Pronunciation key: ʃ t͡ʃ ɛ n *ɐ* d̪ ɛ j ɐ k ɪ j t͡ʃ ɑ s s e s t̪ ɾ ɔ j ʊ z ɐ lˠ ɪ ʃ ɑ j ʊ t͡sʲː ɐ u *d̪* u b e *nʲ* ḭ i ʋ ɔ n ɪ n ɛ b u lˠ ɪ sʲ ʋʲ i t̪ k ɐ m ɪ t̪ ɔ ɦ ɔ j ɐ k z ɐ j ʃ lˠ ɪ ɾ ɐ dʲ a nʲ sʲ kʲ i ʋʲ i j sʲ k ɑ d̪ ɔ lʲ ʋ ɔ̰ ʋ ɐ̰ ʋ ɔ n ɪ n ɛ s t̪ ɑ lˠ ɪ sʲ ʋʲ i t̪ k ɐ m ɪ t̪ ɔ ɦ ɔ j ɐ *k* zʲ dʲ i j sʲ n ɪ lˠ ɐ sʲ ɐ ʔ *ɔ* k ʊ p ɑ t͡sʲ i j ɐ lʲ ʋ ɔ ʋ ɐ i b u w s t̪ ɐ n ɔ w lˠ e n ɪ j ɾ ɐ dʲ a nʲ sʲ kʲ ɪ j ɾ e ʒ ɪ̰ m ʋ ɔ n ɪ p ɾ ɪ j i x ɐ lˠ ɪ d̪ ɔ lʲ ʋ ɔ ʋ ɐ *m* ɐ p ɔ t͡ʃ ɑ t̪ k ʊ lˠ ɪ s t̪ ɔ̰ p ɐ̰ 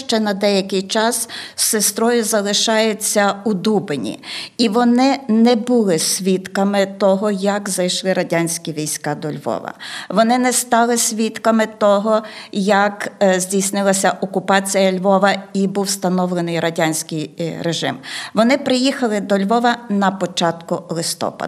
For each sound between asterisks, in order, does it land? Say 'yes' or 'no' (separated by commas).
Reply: yes, yes, yes, yes, yes, no